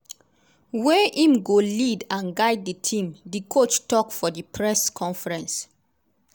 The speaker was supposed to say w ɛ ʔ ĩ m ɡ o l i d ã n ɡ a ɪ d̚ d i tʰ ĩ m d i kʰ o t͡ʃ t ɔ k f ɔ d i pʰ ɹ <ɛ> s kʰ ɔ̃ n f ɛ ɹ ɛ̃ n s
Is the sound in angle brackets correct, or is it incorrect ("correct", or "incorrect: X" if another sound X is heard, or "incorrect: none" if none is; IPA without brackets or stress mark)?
correct